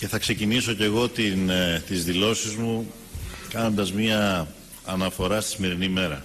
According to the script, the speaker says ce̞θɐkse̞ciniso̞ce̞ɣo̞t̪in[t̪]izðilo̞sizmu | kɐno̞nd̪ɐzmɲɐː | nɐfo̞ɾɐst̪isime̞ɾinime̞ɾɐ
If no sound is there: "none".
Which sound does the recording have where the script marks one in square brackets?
t̪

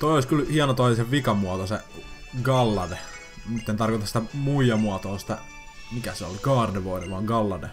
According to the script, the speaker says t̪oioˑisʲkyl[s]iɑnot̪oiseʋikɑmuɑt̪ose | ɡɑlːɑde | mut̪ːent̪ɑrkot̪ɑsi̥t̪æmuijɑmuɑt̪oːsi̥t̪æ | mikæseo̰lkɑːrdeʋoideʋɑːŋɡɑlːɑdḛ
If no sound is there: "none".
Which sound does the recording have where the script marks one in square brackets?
h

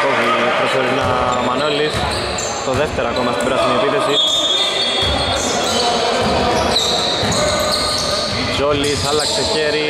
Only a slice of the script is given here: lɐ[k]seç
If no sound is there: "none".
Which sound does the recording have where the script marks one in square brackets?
k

